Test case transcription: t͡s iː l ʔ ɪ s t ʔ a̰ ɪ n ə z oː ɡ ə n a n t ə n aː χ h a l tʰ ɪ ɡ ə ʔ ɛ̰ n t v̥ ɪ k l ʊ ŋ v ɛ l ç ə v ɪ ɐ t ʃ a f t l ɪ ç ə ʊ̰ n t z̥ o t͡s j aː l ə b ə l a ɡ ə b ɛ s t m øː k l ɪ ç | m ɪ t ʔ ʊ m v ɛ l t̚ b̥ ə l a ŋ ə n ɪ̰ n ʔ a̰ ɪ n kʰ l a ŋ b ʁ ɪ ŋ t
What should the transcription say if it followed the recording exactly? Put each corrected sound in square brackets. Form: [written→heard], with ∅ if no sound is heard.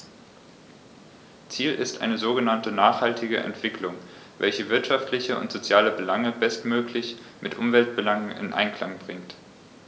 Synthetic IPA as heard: t͡s iː l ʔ ɪ s t ʔ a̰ ɪ n ə z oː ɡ ə n a n t ə n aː χ h a l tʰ ɪ ɡ ə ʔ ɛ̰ n t v̥ ɪ k l ʊ ŋ v ɛ l ç ə v ɪ ɐ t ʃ a f t l ɪ ç ə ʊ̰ n t z̥ o t͡s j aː l ə b ə l a [ɡ→ŋ] ə b ɛ s t m øː k l ɪ ç | m ɪ t ʔ ʊ m v ɛ l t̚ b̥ ə l a ŋ ə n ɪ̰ n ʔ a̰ ɪ n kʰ l a ŋ b ʁ ɪ ŋ t